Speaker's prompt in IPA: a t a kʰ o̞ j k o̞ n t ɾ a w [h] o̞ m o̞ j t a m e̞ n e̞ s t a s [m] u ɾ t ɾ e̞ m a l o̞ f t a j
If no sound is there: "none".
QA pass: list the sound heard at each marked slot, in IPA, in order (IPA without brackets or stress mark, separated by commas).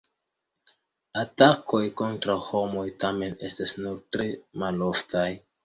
h, n